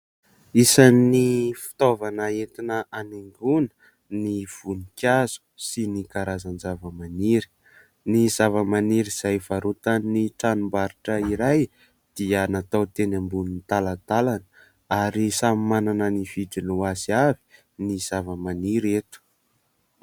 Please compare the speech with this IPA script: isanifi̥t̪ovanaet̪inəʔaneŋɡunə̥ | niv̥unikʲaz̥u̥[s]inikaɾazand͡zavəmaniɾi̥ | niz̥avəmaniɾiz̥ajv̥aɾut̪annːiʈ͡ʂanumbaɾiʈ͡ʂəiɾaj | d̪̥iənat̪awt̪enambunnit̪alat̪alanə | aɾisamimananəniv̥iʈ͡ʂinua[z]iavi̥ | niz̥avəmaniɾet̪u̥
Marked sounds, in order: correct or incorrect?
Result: correct, correct

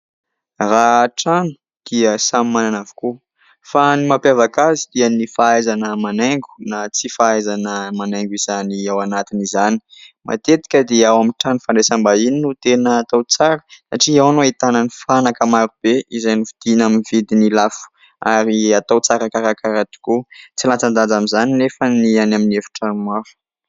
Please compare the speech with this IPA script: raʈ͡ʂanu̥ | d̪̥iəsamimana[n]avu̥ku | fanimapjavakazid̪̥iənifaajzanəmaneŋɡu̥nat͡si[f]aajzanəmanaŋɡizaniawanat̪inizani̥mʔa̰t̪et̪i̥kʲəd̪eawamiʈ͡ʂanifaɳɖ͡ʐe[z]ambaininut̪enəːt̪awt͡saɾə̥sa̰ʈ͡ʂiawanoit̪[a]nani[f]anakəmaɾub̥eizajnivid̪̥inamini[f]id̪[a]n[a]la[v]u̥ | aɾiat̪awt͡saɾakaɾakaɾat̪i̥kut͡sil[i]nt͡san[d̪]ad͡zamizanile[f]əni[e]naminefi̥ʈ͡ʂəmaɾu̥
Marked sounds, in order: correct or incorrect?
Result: correct, correct, incorrect, correct, correct, incorrect, incorrect, incorrect, incorrect, incorrect, correct, correct, incorrect

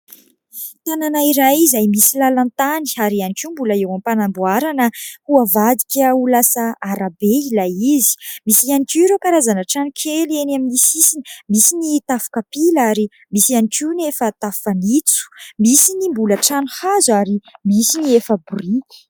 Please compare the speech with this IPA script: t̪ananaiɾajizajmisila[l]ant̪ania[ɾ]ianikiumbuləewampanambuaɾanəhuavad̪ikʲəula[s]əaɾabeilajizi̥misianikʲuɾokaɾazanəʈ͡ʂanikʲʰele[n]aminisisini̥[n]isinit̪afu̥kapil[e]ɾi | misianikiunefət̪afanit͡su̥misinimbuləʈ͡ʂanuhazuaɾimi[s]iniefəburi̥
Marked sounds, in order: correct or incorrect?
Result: correct, correct, correct, correct, incorrect, incorrect, correct

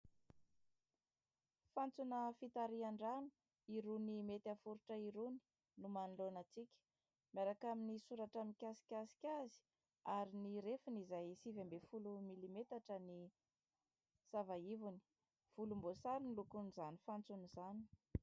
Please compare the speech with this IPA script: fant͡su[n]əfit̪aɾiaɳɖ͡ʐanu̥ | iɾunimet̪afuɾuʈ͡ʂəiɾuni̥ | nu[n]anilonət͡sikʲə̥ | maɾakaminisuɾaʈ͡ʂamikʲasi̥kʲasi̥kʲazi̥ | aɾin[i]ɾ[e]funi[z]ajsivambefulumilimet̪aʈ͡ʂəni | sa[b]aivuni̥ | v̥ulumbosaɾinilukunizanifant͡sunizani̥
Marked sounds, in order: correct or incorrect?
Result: correct, incorrect, correct, correct, correct, incorrect

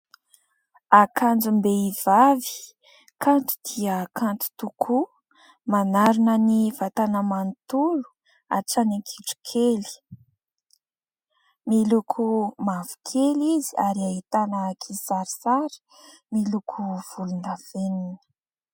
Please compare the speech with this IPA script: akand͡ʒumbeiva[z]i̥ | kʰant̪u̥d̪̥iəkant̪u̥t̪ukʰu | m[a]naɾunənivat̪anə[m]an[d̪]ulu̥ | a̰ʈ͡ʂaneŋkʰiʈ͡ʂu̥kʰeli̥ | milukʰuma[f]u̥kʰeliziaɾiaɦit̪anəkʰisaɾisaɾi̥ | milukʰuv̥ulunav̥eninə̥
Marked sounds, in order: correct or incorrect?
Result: incorrect, correct, correct, incorrect, incorrect

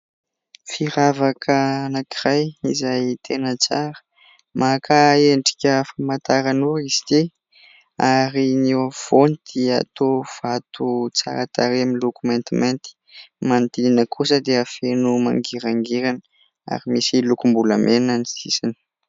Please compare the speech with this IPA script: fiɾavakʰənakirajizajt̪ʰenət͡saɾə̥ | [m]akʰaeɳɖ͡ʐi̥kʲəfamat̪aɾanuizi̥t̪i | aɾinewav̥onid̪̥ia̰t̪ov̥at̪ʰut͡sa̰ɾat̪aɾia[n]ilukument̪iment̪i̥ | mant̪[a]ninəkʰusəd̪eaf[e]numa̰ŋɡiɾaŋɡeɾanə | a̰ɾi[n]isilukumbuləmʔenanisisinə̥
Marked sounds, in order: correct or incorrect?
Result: correct, incorrect, incorrect, correct, incorrect

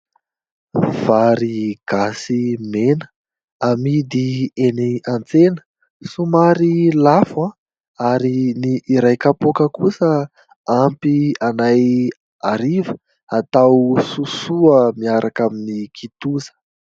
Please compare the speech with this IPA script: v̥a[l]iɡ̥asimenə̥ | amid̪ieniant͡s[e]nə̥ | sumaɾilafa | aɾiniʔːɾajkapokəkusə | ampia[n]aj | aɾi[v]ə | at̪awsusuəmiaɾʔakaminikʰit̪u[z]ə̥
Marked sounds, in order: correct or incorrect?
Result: incorrect, correct, correct, correct, correct

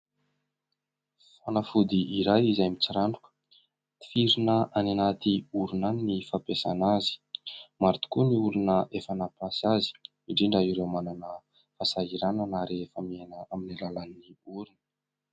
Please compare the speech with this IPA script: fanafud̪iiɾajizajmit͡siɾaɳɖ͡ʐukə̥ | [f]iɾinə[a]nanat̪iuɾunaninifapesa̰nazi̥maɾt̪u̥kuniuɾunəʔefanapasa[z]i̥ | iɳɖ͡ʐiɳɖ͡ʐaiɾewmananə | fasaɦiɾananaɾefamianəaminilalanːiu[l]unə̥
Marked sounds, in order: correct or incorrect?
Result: correct, correct, correct, incorrect

